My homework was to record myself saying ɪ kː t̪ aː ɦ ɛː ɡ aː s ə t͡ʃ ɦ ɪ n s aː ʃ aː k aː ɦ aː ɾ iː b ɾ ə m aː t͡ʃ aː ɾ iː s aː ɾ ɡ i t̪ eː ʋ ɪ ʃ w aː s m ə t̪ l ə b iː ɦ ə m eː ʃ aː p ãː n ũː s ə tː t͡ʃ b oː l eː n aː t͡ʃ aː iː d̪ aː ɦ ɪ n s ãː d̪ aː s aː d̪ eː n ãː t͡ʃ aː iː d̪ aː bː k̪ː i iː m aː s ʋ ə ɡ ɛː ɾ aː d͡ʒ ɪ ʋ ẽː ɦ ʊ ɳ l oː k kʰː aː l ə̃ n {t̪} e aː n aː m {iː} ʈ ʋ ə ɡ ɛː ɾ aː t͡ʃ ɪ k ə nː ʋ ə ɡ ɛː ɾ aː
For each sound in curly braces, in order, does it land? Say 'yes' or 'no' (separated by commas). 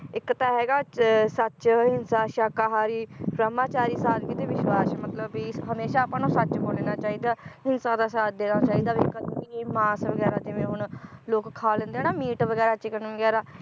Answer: no, yes